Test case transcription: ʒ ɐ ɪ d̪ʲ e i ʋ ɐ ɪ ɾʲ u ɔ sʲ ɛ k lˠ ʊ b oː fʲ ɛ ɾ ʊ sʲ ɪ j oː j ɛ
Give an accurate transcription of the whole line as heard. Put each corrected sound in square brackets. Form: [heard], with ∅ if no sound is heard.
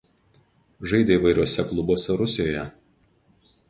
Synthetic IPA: ʒ ɐ ɪ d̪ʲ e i ʋ ɐ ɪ ɾʲ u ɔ sʲ ɛ k lˠ ʊ b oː [sʲ] ɛ ɾ ʊ sʲ ɪ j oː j ɛ

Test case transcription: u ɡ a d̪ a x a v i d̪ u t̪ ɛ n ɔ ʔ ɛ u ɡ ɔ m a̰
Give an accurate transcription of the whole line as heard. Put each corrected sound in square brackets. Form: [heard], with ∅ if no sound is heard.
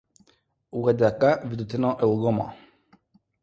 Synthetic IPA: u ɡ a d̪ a [k] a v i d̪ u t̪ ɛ n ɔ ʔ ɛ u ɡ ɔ m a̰

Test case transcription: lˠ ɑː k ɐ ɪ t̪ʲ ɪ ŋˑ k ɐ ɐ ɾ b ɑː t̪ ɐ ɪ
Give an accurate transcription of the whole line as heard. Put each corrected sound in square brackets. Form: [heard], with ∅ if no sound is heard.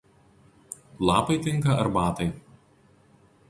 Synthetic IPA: lˠ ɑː [p] ɐ ɪ t̪ʲ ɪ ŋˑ k ɐ ɐ ɾ b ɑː t̪ ɐ ɪ

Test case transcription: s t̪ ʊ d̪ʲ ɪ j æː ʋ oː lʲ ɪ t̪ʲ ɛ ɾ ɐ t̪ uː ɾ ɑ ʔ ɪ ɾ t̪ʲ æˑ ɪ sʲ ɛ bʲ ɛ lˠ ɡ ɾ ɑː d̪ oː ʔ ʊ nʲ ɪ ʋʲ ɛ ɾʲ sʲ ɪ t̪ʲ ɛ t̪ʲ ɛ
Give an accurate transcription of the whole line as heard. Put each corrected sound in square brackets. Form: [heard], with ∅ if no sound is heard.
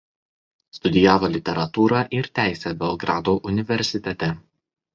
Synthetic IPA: s t̪ ʊ d̪ʲ ɪ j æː ʋ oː lʲ ɪ t̪ʲ ɛ ɾ ɐ t̪ uː ɾ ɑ ʔ ɪ ɾ t̪ʲ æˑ ɪ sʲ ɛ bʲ ɛ lˠ ɡ ɾ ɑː d̪ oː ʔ ʊ nʲ ɪ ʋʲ ɛ ɾʲ sʲ ɪ t̪ʲ ɛ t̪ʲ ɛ

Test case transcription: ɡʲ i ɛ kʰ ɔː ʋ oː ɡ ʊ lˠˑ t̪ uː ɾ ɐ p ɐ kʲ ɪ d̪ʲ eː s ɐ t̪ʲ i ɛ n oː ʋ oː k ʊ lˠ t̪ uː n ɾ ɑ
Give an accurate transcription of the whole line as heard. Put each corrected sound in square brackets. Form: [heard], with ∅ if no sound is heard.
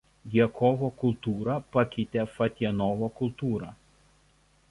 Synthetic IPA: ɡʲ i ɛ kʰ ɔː ʋ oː [k] ʊ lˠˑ t̪ uː ɾ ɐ p ɐ kʲ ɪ [t̪ʲ] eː [f] ɐ t̪ʲ i ɛ n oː ʋ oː k ʊ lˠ t̪ uː [∅] ɾ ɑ

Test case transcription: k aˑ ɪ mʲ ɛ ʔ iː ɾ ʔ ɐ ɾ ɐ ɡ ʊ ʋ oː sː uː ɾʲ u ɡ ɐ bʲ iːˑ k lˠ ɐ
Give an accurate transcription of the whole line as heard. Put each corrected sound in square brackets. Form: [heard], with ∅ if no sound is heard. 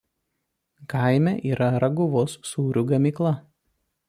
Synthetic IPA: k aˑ ɪ mʲ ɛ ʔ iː ɾ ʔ ɐ ɾ ɐ ɡ ʊ ʋ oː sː uː ɾʲ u ɡ ɐ [mʲ] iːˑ k lˠ ɐ

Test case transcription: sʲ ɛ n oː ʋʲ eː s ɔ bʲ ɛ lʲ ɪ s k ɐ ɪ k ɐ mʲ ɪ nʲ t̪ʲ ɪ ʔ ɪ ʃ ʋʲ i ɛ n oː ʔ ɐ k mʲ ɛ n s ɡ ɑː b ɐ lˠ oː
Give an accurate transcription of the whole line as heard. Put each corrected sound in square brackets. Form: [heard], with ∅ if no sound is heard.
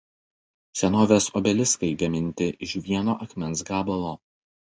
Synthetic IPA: sʲ ɛ n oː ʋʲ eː s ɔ bʲ ɛ lʲ ɪ s k ɐ ɪ [ɡ] ɐ mʲ ɪ nʲ t̪ʲ ɪ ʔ ɪ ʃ ʋʲ i ɛ n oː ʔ ɐ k mʲ ɛ n s ɡ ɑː b ɐ lˠ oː

